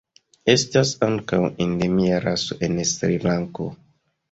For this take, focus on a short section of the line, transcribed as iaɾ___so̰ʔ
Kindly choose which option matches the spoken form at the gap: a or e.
a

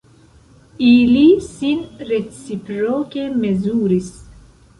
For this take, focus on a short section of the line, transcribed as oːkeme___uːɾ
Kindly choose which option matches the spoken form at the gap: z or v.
z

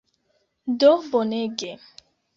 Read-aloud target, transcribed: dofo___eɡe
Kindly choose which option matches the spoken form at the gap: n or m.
n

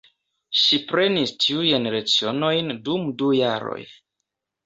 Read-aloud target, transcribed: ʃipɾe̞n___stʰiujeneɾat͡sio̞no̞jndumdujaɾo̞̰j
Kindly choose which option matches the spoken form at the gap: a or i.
i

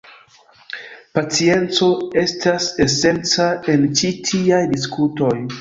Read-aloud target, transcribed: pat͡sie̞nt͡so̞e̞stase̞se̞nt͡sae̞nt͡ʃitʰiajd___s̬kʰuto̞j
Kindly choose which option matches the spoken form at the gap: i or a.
i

